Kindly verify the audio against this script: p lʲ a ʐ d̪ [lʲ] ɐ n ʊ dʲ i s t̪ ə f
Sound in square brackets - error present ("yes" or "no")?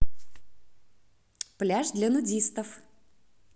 no